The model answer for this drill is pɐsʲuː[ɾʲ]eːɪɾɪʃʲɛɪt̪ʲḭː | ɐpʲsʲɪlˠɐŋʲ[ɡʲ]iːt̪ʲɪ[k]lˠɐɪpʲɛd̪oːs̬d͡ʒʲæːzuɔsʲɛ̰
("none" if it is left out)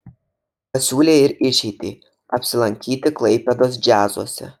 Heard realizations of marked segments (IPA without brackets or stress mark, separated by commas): lʲ, kʲ, k